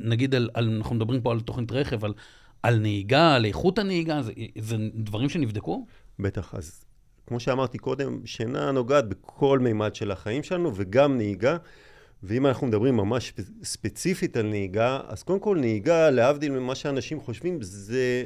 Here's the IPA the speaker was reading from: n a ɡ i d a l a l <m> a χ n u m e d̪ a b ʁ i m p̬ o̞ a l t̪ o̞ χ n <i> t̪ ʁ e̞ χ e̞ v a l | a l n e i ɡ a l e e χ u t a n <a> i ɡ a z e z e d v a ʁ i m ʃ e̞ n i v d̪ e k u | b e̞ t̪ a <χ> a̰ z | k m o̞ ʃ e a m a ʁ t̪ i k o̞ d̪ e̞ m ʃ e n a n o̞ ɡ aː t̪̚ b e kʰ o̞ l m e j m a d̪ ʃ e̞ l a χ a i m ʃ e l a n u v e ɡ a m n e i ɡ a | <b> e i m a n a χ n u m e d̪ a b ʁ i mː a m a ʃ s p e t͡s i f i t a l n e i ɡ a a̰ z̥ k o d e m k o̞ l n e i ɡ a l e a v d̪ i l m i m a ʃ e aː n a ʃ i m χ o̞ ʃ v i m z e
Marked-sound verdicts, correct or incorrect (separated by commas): incorrect, correct, incorrect, correct, incorrect